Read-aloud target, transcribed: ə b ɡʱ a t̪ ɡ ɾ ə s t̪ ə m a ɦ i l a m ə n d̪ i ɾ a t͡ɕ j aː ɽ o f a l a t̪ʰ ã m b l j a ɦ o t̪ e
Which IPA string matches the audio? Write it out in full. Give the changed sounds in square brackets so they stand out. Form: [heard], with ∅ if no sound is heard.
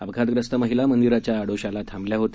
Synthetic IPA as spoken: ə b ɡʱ a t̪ ɡ ɾ ə s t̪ ə m [ə] ɦ i l a m ə n d̪ i ɾ a t͡ɕ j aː ɽ o [ɕ] a l a t̪ʰ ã m b l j a ɦ o t̪ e